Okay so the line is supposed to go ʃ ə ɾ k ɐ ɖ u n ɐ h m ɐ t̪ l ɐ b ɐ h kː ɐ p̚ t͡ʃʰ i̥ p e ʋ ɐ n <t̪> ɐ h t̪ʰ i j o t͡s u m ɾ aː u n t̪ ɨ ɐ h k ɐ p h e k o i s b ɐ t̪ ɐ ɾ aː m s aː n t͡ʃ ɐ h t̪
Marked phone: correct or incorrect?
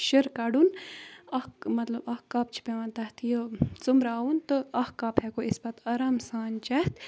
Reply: correct